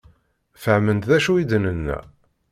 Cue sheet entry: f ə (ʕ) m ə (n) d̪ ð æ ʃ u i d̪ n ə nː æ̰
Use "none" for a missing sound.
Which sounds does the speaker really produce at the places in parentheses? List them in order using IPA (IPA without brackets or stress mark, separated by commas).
ʕ, n